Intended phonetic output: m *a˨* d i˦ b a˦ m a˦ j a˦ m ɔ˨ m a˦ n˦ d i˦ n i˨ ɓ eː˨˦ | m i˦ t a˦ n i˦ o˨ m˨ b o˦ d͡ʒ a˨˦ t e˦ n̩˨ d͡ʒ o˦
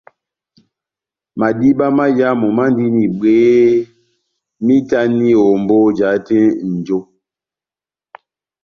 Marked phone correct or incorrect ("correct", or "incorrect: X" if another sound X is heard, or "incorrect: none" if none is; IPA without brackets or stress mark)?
correct